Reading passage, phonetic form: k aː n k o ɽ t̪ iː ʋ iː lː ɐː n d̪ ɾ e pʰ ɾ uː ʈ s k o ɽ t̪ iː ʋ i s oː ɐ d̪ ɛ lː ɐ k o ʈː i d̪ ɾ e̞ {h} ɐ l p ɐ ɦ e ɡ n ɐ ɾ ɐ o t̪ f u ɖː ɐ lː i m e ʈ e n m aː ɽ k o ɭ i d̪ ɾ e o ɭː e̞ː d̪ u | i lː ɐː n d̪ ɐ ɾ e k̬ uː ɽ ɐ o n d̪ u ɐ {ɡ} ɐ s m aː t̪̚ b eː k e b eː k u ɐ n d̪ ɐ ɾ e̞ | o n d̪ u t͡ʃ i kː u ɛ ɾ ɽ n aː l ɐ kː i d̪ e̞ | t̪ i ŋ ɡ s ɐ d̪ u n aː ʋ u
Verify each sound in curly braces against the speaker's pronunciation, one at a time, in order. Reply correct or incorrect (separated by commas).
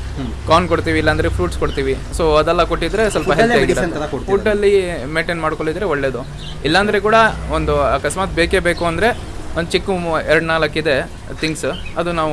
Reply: incorrect, incorrect